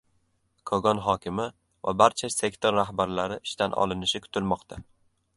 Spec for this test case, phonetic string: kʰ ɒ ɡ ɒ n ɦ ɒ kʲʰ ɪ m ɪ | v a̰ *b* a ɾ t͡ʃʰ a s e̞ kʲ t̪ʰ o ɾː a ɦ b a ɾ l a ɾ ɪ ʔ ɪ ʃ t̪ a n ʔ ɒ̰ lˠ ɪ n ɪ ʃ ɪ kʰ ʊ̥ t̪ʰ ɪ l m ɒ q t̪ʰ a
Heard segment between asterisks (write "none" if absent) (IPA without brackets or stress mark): b